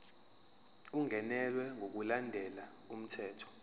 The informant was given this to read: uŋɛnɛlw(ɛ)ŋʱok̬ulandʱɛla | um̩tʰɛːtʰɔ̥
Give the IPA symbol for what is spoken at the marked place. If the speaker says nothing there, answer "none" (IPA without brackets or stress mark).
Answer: ɛ